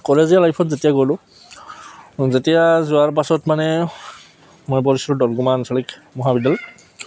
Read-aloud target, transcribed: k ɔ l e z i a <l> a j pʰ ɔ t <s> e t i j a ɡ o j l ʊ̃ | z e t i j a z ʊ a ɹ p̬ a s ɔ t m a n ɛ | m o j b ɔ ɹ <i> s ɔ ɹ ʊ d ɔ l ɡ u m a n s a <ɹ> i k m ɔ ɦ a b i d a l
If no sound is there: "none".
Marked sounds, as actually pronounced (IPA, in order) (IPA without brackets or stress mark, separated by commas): l, z, i, l